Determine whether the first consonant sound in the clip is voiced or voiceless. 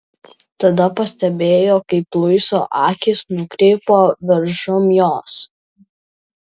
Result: voiceless